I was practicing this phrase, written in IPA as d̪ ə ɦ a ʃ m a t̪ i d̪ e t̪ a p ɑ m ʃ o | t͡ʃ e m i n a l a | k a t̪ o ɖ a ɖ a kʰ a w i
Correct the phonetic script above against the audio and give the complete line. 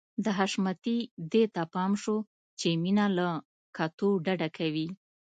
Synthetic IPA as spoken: d̪ ə ɦ a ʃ m a t̪ i d̪ e t̪ a p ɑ m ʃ o | t͡ʃ e m i n a l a | k a t̪ o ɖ a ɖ a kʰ a w i